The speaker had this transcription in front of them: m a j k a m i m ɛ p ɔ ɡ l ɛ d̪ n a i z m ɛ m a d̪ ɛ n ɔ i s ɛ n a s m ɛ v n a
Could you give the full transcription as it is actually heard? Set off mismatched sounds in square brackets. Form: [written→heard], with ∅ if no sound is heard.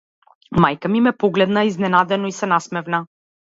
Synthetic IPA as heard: m a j k a m i m ɛ p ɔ ɡ l ɛ d̪ n a i z [m→n] ɛ [m→n] a d̪ ɛ n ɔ i s ɛ n a s m ɛ v n a